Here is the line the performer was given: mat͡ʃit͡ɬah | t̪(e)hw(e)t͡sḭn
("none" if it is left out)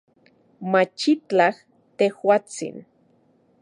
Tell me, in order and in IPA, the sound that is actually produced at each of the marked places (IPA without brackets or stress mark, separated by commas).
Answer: e, a